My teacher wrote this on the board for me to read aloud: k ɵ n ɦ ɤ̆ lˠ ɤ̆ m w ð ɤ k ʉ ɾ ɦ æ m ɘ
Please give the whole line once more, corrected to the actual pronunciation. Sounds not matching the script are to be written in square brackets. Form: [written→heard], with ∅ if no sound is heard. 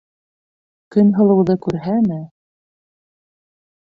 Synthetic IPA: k ɵ n ɦ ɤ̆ lˠ ɤ̆ [m→∅] w ð ɤ k ʉ ɾ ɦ æ m ɘ